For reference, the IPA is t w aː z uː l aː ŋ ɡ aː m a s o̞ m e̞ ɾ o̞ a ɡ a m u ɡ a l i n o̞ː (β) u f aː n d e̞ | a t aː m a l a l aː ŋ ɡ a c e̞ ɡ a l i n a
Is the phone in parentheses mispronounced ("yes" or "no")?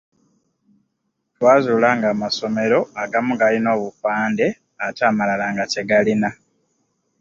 no